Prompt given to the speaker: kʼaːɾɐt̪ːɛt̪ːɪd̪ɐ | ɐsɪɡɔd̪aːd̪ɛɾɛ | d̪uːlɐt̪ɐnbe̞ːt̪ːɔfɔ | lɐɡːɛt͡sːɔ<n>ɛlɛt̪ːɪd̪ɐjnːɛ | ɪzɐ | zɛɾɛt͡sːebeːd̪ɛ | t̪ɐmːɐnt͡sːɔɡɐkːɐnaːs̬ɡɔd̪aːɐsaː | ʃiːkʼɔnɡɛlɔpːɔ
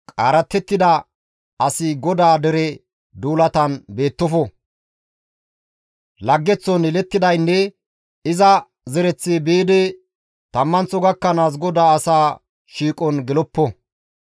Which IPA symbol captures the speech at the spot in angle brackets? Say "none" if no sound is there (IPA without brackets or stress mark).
n